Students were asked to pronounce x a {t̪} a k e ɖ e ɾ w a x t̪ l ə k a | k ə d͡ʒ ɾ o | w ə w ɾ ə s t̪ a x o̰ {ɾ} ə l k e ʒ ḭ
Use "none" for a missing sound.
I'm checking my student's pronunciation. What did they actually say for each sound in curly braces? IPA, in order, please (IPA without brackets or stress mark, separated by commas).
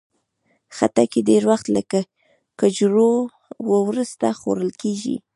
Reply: t̪, ɾ